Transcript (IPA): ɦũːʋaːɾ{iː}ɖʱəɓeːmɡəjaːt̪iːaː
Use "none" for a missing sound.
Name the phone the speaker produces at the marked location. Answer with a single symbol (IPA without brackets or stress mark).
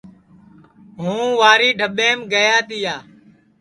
iː